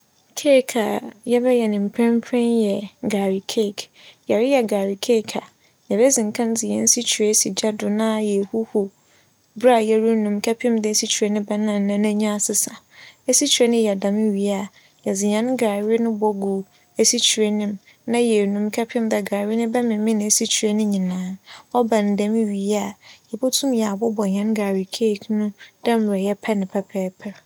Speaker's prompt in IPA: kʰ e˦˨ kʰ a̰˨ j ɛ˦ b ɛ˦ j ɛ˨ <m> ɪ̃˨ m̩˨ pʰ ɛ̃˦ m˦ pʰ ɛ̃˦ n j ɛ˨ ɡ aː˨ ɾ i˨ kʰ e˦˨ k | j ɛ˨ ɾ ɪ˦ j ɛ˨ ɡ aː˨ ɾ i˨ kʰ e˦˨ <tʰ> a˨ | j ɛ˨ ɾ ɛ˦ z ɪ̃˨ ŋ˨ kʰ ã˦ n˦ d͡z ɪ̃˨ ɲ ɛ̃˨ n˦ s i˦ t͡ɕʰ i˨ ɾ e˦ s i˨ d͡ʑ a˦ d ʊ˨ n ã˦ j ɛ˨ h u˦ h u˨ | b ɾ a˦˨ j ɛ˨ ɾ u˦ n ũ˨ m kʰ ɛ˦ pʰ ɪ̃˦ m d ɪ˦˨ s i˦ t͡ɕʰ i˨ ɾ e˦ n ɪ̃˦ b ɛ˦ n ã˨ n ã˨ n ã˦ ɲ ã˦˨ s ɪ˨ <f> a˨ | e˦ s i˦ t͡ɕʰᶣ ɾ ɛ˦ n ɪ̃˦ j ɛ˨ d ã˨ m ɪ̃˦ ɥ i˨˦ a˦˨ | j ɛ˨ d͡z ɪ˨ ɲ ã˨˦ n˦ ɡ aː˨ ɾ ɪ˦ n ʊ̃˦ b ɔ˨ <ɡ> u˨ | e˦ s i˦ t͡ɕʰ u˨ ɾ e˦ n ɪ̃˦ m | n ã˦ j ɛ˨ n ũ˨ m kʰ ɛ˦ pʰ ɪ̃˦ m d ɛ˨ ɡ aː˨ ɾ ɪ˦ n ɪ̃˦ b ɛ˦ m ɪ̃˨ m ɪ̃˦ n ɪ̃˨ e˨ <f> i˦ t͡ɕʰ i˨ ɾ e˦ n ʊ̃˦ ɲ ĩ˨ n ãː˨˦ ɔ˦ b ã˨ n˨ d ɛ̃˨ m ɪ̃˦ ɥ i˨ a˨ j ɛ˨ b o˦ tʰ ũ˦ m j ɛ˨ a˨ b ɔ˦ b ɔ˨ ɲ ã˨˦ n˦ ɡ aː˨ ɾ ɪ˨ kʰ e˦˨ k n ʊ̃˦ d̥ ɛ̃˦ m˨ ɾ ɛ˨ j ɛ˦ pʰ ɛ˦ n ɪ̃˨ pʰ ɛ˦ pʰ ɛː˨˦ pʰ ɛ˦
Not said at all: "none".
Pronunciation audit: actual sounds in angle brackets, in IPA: n, kʰ, s, ɡ, s

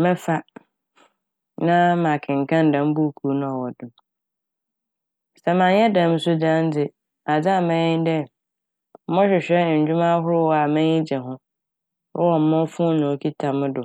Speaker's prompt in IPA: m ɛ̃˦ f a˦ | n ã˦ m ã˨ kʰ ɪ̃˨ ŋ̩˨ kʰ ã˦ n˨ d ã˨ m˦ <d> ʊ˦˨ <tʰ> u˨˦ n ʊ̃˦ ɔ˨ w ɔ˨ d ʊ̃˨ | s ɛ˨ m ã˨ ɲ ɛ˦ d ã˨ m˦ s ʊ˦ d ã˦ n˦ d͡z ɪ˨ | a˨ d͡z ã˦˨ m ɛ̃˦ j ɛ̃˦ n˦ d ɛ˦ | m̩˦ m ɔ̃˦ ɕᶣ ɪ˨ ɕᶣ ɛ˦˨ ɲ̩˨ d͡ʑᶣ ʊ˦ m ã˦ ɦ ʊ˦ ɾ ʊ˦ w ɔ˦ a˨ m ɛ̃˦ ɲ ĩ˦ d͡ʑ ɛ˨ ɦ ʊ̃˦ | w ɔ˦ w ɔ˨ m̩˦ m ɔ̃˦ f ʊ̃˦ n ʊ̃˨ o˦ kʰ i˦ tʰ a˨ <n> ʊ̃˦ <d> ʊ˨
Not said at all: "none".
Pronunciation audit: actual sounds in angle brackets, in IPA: b, kʰ, m, d

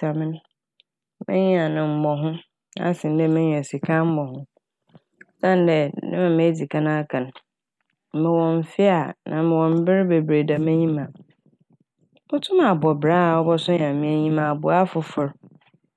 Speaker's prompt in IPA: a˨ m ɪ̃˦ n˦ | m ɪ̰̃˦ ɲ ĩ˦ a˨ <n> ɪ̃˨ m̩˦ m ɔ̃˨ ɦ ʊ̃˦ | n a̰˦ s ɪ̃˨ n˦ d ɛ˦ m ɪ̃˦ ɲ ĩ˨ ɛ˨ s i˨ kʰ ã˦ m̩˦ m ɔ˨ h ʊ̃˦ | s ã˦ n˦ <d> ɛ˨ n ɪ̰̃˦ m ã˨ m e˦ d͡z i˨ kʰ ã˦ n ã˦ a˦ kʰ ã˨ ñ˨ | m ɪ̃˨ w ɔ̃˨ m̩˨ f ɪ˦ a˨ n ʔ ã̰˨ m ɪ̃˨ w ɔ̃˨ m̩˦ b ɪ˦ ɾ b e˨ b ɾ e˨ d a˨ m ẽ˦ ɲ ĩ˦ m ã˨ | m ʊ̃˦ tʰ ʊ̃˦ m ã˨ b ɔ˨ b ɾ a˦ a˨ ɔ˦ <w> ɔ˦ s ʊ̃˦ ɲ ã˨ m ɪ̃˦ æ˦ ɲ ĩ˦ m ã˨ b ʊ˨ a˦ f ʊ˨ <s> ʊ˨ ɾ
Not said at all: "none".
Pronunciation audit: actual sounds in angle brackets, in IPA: n, d, b, f

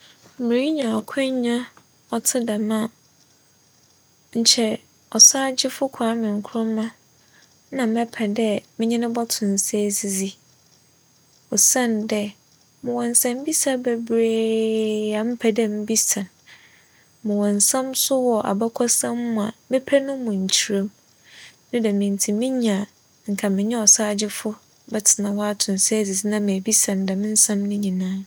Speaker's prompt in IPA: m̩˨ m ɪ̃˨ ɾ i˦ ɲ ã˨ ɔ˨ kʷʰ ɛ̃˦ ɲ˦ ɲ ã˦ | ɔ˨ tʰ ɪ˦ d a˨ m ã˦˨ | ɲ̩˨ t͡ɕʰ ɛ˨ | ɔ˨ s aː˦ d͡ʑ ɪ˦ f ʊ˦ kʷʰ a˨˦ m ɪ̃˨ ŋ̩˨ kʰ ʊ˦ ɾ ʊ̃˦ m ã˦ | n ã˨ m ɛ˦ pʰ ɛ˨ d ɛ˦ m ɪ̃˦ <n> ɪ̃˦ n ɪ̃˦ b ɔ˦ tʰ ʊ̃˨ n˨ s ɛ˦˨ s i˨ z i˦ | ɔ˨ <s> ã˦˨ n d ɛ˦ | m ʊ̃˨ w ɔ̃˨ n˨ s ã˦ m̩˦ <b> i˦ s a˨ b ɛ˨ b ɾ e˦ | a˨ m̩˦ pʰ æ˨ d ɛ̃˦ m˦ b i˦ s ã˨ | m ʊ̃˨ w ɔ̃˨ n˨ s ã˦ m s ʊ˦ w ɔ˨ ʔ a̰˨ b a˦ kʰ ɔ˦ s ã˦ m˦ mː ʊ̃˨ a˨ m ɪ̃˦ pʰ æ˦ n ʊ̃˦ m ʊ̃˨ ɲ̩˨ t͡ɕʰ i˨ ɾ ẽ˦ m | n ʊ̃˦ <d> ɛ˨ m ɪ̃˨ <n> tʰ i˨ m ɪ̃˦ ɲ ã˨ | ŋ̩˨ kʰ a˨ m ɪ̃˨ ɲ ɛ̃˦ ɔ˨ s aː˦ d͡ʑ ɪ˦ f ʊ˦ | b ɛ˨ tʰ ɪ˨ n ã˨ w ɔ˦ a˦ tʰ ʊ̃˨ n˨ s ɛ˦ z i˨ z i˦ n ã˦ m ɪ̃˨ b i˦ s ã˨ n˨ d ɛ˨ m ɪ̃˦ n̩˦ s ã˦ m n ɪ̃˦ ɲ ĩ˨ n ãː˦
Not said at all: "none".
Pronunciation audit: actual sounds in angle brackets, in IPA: ɲ, s, b, d, n

